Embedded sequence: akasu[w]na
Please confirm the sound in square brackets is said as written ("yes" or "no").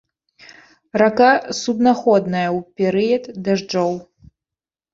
no